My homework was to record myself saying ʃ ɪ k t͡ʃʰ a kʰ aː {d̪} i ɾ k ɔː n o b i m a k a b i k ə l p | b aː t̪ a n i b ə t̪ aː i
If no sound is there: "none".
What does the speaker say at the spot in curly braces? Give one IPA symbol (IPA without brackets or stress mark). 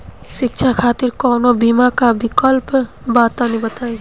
t̪